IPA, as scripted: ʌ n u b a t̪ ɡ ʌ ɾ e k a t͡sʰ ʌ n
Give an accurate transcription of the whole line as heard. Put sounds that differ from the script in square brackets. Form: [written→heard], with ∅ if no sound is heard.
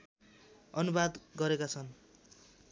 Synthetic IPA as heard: ʌ n u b a [t̪→d̪] ɡ ʌ ɾ e k a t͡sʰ ʌ n